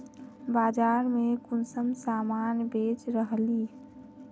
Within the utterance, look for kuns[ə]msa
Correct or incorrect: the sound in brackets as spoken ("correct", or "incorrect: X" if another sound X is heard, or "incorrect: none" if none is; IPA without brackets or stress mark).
correct